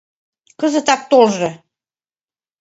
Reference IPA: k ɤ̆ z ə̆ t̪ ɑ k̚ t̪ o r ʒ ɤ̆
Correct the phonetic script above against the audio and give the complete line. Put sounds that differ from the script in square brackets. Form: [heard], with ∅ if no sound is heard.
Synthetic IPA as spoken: k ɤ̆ z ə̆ t̪ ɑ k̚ t̪ o [l] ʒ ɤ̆